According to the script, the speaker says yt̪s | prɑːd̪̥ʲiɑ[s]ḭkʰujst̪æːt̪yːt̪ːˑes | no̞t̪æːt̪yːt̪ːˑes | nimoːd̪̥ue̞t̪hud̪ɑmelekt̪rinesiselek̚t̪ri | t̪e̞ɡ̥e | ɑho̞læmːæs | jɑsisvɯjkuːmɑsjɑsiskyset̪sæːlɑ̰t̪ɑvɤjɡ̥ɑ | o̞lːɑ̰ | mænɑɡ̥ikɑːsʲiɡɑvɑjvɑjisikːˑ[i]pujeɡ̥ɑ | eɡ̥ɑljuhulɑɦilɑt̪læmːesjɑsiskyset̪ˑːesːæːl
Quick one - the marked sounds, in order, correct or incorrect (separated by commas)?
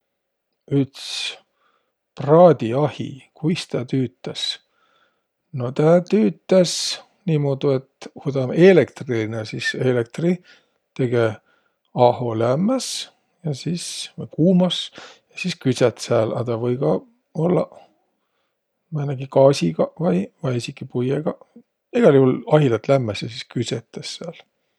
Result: incorrect, correct